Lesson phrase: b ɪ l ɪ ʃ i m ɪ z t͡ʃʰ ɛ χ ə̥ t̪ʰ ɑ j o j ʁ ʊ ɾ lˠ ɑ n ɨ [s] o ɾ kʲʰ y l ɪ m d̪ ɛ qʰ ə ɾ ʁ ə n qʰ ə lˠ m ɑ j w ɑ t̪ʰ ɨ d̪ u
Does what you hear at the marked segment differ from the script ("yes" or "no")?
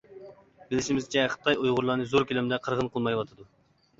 yes